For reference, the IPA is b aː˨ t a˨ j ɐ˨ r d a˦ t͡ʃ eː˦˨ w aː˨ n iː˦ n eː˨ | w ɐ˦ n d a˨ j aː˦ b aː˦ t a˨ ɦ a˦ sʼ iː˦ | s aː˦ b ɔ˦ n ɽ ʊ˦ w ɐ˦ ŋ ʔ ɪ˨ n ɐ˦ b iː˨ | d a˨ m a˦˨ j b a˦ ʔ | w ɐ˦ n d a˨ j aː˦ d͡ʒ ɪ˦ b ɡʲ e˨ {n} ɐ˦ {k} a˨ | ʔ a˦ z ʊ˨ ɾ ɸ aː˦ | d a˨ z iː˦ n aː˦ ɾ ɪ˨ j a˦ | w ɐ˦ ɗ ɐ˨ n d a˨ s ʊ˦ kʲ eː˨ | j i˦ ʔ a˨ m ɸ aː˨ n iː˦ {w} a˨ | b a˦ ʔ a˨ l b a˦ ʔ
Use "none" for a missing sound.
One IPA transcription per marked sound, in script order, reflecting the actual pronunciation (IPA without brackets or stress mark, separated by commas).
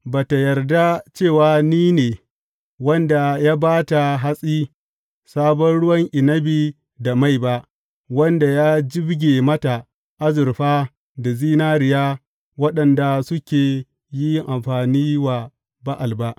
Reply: m, t, w